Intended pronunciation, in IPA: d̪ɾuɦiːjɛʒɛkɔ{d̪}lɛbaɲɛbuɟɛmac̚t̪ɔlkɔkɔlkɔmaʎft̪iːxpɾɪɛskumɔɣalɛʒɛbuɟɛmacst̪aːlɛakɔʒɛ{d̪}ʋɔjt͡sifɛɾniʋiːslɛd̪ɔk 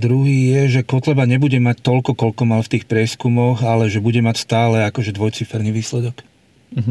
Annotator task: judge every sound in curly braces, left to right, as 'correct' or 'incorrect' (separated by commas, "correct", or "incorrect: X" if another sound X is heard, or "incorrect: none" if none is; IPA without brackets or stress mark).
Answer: incorrect: t̪, correct